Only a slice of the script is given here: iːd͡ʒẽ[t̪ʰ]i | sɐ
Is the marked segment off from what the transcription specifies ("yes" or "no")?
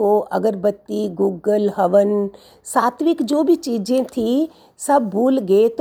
no